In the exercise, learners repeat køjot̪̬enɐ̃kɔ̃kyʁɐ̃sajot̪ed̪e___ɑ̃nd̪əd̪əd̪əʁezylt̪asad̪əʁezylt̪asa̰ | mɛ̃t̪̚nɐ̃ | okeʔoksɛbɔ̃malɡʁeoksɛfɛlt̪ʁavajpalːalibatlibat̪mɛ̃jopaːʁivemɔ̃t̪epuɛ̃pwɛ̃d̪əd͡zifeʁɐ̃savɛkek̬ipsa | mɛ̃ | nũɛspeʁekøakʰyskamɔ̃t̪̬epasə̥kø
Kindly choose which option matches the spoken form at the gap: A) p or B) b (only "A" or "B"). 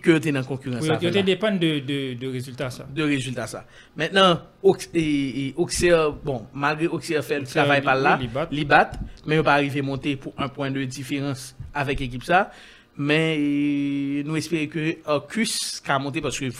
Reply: A